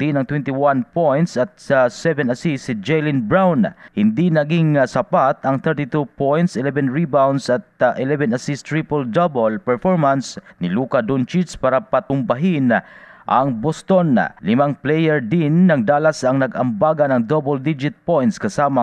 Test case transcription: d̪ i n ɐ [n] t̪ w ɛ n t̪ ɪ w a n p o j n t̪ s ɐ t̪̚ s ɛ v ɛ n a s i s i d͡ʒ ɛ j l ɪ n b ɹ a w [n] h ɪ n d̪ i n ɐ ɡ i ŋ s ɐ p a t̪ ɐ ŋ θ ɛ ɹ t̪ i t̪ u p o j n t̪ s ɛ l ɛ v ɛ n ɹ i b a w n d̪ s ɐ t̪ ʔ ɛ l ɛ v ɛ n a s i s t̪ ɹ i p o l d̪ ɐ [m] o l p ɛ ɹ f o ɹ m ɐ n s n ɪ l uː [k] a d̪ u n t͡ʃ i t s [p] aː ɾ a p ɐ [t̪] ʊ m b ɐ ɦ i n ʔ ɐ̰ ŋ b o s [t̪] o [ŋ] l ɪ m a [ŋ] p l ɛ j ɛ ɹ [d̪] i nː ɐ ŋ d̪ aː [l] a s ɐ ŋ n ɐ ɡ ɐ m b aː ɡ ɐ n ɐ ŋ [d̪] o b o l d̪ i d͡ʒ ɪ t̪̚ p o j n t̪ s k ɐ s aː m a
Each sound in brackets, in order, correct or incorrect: incorrect: ŋ, correct, incorrect: b, correct, correct, correct, correct, incorrect: n, correct, correct, correct, correct

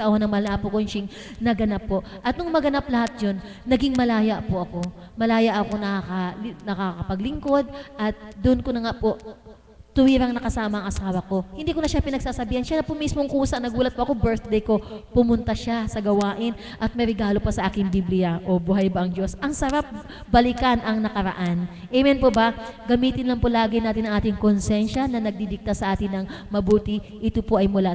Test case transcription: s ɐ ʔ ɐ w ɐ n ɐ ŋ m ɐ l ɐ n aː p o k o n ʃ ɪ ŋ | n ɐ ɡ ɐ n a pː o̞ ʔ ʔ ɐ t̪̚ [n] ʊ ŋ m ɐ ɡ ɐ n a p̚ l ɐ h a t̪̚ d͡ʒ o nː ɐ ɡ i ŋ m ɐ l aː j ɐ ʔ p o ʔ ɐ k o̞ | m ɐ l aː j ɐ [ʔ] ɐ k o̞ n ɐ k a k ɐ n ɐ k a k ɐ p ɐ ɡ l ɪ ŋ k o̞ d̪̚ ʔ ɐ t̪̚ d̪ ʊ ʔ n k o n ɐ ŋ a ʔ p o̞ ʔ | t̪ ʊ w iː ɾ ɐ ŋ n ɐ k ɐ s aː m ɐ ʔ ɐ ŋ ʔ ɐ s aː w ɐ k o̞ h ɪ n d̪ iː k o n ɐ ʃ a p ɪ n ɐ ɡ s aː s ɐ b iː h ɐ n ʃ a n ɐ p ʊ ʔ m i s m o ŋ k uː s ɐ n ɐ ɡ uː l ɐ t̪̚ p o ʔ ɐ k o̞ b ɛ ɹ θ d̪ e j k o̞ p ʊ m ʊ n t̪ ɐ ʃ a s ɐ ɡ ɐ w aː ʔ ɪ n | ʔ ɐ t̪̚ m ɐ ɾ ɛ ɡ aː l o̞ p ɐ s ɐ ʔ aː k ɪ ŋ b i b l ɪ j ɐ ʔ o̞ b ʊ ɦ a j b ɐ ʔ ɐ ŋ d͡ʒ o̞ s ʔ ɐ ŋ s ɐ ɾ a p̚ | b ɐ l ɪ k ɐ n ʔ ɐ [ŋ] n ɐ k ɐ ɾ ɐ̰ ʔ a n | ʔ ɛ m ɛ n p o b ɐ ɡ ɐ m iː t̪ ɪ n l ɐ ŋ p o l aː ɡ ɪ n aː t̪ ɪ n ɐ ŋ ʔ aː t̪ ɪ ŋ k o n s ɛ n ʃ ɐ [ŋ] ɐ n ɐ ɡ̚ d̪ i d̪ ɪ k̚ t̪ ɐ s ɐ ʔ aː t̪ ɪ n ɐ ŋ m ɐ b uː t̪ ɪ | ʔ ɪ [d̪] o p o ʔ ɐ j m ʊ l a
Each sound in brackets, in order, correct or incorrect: correct, correct, correct, incorrect: n, incorrect: t̪

